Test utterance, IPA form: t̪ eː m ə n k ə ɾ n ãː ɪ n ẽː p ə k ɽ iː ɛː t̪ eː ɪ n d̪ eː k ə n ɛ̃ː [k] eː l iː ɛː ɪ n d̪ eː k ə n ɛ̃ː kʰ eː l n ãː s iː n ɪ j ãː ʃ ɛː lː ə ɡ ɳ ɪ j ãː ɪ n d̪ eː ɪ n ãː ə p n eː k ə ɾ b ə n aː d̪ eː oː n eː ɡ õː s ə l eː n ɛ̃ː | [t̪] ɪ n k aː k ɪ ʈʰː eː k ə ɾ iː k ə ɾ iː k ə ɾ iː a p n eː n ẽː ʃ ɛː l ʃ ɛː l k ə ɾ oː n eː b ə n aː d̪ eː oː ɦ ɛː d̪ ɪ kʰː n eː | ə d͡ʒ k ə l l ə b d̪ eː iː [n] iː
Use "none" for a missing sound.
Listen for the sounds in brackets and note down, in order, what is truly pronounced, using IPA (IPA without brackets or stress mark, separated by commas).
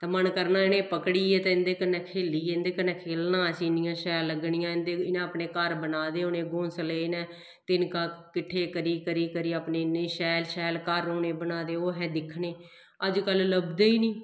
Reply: kʰ, t̪, n